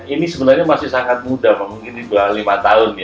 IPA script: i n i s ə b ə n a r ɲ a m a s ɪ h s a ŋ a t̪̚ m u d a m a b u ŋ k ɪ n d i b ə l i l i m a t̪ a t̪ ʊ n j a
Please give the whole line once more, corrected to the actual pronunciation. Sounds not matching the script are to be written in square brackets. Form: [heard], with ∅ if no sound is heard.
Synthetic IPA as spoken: i n i s ə b ə n a r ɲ a m a s ɪ h s a ŋ a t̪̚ m u d a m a [m] u ŋ k ɪ n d i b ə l [a] l i m a t̪ a [∅] ʊ n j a